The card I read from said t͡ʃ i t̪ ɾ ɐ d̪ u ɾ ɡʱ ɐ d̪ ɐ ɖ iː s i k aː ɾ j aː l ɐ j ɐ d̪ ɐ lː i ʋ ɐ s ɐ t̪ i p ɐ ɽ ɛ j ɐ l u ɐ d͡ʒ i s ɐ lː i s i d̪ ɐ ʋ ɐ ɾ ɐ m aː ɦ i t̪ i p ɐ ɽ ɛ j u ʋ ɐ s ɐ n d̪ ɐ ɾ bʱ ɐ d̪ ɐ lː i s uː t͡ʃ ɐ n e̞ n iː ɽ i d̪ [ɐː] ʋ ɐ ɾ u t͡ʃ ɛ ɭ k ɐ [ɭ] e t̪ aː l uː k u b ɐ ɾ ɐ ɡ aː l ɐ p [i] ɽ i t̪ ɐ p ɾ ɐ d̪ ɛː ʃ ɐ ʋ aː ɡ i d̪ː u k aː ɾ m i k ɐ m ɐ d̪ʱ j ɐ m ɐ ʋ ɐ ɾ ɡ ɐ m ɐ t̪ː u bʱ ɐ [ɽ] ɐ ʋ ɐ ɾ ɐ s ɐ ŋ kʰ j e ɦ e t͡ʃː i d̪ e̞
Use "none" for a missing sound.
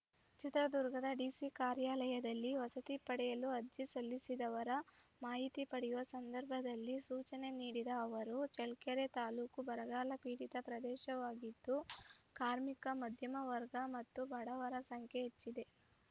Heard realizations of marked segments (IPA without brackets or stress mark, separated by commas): ɐː, ɾ, iː, ɽ